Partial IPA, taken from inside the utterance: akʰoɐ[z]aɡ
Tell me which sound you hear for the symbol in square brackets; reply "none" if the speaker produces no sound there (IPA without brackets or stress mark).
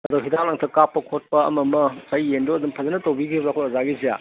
z